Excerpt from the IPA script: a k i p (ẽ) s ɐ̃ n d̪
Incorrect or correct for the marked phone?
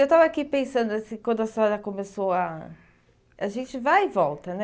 correct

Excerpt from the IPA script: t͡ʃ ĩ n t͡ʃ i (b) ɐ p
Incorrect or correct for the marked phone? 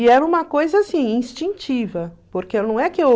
incorrect: v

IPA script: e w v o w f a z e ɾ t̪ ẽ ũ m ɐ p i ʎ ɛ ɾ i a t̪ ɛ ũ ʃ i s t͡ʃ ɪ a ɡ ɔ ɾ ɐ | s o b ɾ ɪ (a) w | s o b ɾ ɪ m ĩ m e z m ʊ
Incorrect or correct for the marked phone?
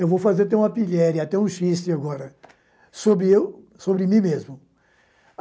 incorrect: e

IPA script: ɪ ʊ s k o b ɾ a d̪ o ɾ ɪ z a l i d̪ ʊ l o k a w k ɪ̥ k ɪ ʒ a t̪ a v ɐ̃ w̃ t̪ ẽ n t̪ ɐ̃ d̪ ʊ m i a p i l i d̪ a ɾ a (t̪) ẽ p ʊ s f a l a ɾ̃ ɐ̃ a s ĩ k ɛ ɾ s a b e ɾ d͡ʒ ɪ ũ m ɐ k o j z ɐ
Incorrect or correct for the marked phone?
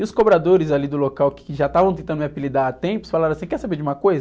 correct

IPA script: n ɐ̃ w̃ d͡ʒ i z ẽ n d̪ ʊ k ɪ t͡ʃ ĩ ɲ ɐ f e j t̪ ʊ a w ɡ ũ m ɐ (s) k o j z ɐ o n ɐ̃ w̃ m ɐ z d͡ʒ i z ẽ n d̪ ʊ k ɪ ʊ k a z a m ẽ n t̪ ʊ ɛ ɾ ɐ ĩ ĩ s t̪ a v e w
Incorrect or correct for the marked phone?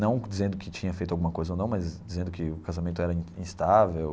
incorrect: none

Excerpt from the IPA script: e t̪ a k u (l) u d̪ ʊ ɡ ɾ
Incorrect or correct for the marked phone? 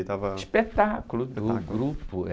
correct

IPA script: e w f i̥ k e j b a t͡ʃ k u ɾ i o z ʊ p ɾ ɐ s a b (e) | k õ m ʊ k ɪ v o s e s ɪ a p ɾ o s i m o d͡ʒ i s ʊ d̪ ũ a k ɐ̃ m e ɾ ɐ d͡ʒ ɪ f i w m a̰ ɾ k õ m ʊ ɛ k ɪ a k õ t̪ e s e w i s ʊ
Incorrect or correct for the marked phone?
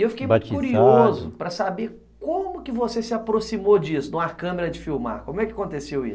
correct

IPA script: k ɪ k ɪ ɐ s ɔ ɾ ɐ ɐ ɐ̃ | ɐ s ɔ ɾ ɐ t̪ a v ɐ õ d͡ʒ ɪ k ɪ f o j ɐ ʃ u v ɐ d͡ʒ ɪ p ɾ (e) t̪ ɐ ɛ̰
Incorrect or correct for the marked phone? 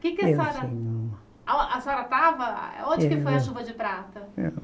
incorrect: a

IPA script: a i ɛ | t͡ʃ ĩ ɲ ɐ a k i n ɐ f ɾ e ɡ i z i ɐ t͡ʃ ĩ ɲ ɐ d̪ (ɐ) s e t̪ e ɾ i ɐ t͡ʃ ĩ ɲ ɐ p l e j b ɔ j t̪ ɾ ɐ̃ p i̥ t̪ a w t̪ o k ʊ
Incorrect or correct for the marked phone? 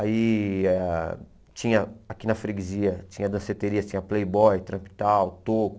incorrect: ɐ̃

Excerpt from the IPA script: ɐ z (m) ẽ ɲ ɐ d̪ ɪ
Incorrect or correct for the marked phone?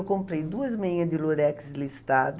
correct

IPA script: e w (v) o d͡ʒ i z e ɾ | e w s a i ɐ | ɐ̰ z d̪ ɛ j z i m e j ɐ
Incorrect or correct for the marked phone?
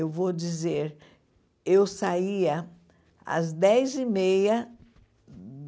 correct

